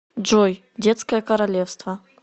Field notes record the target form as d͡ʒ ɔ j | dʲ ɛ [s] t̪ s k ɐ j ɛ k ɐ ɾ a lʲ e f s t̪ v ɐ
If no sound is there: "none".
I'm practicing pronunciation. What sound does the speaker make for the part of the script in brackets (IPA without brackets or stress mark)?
none